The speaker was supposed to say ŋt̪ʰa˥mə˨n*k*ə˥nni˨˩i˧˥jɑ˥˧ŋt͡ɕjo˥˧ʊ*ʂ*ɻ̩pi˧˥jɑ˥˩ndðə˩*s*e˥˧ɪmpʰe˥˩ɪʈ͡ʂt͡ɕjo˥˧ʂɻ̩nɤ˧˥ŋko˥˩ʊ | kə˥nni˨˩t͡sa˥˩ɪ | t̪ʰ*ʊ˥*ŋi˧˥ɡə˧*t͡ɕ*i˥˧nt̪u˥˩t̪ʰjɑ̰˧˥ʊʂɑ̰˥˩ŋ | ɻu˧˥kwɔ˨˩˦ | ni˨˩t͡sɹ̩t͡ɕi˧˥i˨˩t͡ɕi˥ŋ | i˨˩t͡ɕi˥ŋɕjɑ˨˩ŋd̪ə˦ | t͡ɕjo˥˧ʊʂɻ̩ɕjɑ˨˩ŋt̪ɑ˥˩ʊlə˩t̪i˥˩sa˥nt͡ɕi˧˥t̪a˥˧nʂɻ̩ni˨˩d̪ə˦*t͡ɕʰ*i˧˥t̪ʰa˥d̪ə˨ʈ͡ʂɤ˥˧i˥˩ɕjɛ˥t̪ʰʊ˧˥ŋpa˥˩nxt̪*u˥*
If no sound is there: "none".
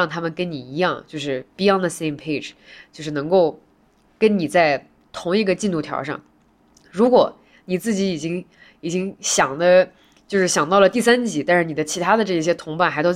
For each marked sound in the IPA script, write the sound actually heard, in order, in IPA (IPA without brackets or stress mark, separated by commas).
k, ʂ, s, ʊ˧˥, t͡ɕ, t͡ɕʰ, o˥